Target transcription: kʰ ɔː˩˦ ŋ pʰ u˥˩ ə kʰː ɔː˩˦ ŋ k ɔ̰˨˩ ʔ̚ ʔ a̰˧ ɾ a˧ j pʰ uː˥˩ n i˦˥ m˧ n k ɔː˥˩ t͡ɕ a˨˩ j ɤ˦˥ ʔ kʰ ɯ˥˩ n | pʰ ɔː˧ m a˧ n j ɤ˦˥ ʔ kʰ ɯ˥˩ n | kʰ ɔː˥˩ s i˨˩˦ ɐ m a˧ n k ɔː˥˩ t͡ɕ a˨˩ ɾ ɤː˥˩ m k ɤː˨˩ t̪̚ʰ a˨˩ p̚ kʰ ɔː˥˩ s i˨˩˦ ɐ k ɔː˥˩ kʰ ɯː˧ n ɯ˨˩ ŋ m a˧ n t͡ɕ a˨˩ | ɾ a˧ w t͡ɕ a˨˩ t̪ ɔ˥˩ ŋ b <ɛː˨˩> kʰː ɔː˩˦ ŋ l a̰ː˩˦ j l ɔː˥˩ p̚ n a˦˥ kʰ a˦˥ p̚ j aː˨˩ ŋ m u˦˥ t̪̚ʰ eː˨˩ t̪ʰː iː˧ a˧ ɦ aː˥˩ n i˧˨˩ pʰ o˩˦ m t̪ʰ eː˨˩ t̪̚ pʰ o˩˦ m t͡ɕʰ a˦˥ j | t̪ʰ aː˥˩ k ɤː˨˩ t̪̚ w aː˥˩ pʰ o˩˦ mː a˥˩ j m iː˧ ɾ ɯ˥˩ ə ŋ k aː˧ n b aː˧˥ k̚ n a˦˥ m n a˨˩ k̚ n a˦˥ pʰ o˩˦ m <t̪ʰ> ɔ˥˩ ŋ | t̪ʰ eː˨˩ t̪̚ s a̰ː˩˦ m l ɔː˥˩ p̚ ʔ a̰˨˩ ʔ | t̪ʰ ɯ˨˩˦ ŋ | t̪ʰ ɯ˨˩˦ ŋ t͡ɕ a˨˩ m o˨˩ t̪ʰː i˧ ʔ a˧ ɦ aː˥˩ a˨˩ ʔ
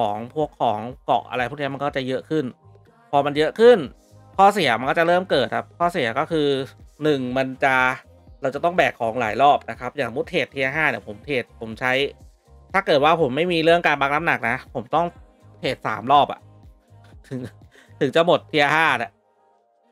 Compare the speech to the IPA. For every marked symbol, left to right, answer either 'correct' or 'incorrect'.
correct, incorrect: t̪

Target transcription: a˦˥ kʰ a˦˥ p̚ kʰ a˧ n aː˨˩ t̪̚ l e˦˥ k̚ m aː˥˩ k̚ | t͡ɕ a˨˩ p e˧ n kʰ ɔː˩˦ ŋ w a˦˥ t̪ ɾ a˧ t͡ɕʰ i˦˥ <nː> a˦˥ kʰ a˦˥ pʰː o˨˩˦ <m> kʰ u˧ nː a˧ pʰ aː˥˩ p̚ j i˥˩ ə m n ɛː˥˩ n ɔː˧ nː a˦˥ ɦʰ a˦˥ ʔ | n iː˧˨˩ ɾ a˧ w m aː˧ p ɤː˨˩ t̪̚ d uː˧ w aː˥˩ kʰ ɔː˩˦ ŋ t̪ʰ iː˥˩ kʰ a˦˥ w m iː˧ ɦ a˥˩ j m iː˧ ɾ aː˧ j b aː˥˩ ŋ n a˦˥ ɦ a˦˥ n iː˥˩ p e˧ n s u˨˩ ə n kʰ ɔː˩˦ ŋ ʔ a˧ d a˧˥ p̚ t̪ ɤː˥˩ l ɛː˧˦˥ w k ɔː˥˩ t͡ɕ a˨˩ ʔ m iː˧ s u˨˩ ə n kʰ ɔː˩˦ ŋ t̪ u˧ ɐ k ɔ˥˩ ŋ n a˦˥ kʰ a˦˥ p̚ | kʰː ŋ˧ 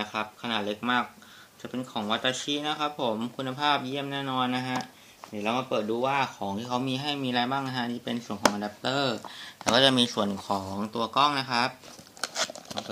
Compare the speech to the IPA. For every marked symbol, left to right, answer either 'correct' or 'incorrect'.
incorrect: n, correct

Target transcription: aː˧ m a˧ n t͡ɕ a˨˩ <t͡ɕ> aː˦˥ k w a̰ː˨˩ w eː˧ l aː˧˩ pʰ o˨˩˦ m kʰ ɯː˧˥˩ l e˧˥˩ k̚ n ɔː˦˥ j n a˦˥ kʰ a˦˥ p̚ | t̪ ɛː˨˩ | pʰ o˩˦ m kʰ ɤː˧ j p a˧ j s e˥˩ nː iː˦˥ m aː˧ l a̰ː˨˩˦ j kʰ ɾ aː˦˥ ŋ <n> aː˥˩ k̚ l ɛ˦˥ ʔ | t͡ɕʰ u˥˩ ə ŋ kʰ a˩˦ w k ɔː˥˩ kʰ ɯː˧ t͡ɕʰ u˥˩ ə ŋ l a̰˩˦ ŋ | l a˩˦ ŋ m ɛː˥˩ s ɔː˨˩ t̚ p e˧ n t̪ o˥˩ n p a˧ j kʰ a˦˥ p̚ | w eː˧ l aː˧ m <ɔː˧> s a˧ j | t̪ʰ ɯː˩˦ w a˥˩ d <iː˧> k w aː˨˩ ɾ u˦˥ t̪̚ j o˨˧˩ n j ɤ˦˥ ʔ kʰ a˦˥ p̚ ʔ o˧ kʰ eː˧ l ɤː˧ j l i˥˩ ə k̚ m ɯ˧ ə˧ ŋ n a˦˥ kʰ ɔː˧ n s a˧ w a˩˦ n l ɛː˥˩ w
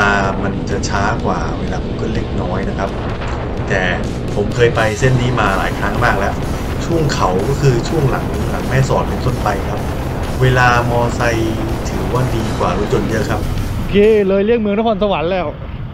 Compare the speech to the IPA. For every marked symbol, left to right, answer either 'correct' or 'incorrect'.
incorrect: t͡ɕʰ, incorrect: m, correct, correct

